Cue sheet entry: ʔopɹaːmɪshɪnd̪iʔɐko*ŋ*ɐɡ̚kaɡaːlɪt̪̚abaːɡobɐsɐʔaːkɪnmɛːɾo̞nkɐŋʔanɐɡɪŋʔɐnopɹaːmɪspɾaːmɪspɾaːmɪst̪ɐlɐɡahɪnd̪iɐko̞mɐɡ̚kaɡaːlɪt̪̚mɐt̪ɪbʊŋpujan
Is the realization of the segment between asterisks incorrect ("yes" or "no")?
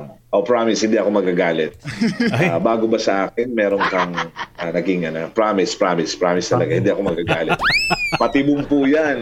yes